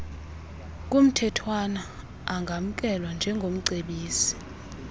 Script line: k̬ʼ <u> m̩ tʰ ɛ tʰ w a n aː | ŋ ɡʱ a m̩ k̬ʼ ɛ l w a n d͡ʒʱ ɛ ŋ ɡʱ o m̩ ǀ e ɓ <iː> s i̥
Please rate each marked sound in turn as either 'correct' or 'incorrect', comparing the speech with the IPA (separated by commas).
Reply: correct, correct